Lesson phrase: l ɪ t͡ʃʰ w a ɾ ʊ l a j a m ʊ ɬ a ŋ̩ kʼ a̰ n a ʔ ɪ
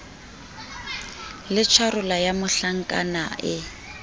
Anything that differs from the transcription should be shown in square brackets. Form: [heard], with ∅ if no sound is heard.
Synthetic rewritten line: l ɪ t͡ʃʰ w a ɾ ʊ l a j a m ʊ ɬ a ŋ̩ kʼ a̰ n a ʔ ɪ